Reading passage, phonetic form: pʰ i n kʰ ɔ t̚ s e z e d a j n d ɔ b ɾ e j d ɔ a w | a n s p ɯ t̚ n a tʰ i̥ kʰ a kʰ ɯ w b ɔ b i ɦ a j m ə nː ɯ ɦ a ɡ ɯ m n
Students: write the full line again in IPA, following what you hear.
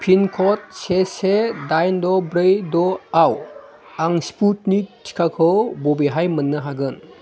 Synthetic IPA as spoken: pʰ i n kʰ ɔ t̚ s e s e d a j n d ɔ b ɾ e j d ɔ a w | a ŋ s p u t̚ n i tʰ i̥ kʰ a kʰ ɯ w b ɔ b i ɦ a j m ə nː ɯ ɦ a ɡ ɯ n